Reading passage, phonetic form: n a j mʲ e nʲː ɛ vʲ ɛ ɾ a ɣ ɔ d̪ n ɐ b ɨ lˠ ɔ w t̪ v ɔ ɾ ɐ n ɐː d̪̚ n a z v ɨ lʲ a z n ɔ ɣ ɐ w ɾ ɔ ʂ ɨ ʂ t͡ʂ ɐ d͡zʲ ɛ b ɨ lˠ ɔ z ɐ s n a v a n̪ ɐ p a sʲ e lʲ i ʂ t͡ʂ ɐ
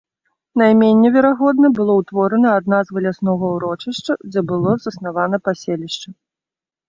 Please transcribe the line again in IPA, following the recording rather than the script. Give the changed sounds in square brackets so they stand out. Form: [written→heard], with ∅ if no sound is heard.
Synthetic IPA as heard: n a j mʲ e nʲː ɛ vʲ ɛ ɾ a ɣ ɔ d̪ n ɐ b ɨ lˠ ɔ w t̪ v ɔ ɾ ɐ n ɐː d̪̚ n a z v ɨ lʲ a [z→s] n ɔ ɣ ɐ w ɾ ɔ [ʂ→t͡ʂ] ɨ ʂ t͡ʂ ɐ d͡zʲ ɛ b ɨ lˠ ɔ z ɐ s n a v a n̪ ɐ p a sʲ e lʲ i ʂ t͡ʂ ɐ